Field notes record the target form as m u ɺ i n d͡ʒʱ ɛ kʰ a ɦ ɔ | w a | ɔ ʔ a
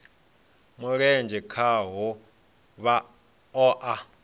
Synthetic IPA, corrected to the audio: m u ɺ ɛ n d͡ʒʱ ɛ kʰ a ɦ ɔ | β a | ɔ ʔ a